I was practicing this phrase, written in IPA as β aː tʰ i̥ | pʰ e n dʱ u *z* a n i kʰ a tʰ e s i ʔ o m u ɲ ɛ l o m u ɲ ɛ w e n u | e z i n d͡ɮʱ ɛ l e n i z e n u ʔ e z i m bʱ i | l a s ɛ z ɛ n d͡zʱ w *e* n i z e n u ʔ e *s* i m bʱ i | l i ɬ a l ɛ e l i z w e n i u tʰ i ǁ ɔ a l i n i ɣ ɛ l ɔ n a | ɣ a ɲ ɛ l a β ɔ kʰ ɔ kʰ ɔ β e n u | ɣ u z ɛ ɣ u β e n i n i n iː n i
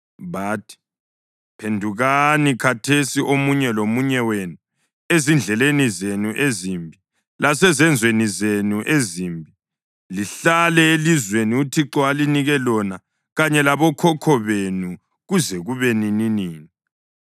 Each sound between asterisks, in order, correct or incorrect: incorrect: ɣ, correct, incorrect: z

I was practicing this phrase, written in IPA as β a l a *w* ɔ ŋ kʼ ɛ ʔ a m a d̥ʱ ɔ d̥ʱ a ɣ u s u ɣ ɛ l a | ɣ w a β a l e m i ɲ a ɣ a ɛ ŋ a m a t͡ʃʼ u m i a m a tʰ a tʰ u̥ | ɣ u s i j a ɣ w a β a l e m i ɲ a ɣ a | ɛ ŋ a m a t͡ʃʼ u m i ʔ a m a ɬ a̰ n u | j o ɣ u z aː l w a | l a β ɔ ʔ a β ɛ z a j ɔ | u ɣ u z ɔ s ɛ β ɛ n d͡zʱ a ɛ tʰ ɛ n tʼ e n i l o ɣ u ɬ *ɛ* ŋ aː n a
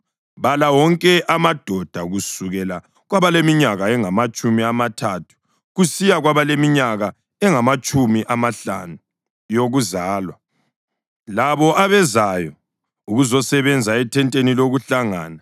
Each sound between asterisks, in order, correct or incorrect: correct, incorrect: a

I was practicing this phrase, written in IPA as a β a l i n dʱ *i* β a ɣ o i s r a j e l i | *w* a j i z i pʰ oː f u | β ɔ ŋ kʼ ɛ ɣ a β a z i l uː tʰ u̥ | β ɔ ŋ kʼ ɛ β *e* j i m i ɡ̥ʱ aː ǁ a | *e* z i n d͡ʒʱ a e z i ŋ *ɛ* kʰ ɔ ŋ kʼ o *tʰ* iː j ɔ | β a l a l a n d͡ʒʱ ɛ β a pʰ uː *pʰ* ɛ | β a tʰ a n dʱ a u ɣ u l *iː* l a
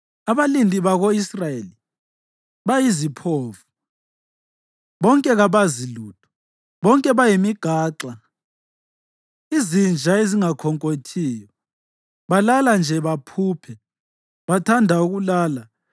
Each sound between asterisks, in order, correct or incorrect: correct, incorrect: β, incorrect: a, incorrect: i, incorrect: a, correct, correct, incorrect: aː

